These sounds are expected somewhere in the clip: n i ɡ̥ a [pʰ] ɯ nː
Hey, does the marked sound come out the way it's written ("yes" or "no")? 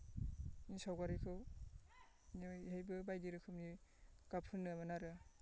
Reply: yes